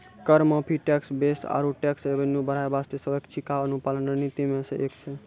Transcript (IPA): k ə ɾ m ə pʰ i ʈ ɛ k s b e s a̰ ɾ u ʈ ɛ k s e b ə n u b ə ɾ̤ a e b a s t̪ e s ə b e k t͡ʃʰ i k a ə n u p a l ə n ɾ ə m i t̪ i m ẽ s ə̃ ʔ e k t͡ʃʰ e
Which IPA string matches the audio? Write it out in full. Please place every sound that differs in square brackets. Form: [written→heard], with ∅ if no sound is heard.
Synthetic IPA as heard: k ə ɾ m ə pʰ i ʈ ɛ k s b e s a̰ ɾ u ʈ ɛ k s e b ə n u b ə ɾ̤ a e b a s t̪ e s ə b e k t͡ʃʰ i k a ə n u p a l ə n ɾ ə [m→n] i t̪ i m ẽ s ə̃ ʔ e k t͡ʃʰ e